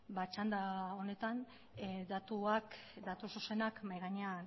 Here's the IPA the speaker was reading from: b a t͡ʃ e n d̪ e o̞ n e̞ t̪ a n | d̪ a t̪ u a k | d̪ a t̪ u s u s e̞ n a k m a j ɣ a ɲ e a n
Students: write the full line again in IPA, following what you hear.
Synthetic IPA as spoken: b a t͡ʃ a n d̪ a o̞ n e̞ t̪ a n | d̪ a t̪ u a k | d̪ a t̪ u s u s e̞ n a k m a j ɣ a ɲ e a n